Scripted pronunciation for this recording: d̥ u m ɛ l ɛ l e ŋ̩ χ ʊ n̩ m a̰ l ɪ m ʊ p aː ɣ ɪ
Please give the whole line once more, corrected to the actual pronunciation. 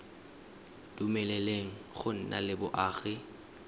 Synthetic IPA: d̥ u m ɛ l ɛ l e ŋ̩ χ ʊ n̩ n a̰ l ɪ b ʊ ʔ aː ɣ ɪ